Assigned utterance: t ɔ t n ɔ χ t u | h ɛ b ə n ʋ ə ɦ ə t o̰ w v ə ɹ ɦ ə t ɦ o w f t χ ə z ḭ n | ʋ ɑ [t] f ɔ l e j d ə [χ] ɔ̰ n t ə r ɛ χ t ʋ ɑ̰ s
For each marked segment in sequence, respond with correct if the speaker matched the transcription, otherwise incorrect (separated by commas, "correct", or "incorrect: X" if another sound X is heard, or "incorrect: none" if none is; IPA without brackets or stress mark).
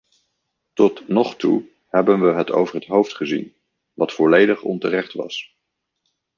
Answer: correct, correct